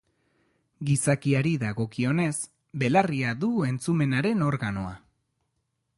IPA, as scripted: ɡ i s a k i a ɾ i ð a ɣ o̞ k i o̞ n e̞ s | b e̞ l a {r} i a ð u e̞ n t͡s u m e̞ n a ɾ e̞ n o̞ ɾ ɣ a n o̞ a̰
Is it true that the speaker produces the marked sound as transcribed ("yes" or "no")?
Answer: yes